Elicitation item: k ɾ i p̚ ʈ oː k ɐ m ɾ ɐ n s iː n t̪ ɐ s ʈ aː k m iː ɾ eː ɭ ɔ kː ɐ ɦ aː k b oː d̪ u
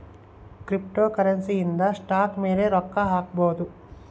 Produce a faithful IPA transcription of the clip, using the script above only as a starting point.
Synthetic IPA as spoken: k ɾ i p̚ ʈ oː k ɐ ɾ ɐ n s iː n d̪ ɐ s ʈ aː k m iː ɾ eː ɾ ɔ kː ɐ ɦ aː k b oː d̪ u